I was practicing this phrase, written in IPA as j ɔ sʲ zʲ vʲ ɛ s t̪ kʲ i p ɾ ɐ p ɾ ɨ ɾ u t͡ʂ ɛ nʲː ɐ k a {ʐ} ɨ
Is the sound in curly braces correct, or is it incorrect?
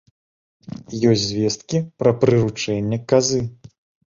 incorrect